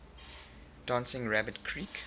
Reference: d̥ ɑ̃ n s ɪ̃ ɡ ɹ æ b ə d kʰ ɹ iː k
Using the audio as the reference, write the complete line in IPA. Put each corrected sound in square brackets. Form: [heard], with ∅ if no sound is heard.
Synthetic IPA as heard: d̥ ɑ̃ n s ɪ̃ [ŋ] ɹ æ b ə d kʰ ɹ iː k